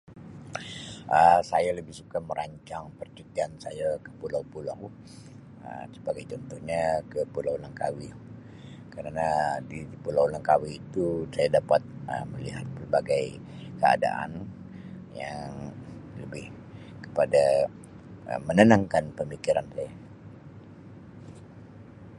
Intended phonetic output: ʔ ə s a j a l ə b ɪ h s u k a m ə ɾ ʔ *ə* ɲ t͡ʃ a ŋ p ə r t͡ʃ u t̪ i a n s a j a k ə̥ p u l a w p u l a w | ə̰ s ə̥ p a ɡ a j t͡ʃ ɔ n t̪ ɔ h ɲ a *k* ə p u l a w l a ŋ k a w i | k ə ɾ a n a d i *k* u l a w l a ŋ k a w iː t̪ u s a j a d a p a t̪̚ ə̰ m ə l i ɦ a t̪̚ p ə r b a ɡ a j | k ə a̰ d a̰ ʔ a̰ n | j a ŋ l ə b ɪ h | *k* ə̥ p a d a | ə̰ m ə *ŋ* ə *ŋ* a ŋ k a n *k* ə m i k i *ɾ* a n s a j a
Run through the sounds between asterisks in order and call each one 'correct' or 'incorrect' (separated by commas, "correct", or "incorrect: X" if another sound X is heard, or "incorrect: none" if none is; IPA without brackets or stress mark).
incorrect: a, correct, incorrect: p, correct, incorrect: n, incorrect: n, incorrect: p, correct